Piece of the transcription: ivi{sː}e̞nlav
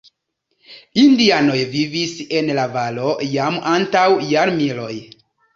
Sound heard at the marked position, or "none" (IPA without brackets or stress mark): s